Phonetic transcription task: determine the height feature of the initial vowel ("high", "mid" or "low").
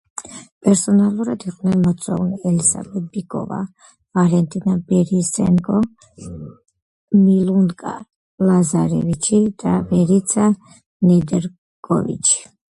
mid